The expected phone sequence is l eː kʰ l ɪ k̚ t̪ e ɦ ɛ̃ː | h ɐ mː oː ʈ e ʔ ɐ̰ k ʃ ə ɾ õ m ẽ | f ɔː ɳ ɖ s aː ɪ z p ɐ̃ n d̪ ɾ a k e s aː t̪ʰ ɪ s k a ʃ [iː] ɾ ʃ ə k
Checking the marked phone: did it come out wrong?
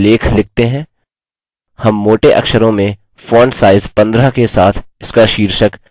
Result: no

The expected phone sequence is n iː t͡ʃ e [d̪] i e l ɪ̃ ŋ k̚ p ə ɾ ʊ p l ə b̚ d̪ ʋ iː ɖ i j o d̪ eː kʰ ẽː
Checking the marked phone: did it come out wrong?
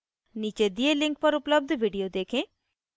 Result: no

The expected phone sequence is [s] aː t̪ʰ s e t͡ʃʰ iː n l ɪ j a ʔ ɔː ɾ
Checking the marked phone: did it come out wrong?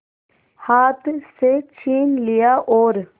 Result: yes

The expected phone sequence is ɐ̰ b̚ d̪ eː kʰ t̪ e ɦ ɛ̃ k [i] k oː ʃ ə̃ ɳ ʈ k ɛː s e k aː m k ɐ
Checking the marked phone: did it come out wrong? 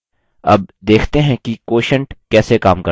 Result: no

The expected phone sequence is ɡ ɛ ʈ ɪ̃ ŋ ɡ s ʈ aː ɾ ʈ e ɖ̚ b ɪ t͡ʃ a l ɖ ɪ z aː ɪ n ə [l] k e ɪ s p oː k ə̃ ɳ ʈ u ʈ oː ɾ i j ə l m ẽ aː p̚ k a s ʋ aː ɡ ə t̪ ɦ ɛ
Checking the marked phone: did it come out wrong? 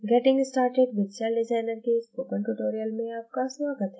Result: yes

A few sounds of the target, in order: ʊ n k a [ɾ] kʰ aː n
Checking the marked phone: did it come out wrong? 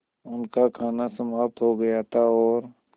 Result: yes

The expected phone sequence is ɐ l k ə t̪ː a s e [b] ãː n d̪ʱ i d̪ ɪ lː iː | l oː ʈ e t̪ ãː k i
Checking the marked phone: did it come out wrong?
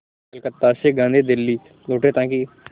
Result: yes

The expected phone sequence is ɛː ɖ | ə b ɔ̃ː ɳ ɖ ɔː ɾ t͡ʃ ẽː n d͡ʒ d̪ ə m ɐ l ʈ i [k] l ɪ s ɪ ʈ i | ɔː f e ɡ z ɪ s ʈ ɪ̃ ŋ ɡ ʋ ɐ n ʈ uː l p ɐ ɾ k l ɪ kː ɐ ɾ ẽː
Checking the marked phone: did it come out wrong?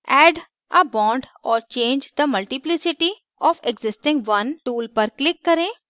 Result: yes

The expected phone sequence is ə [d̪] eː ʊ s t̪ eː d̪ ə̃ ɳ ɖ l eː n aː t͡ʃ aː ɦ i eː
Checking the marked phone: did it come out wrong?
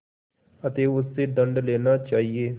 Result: yes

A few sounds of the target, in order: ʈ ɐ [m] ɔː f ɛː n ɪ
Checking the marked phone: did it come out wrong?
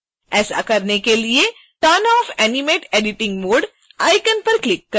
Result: yes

